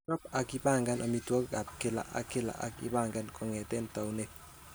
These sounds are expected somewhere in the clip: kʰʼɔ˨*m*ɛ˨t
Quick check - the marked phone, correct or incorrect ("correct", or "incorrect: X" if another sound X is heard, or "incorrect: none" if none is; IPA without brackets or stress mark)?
incorrect: ŋ